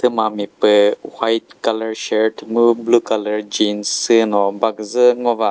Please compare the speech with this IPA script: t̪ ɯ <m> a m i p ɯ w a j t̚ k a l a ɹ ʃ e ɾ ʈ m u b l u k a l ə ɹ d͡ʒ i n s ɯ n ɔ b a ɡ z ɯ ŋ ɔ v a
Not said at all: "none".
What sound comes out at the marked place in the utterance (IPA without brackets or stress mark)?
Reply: m